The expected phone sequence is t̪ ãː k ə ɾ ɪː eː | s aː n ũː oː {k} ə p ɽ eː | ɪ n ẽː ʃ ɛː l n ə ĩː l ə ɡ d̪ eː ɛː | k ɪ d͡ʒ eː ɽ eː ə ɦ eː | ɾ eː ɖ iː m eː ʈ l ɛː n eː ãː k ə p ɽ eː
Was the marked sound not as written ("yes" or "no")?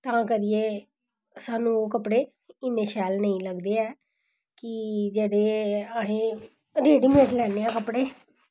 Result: no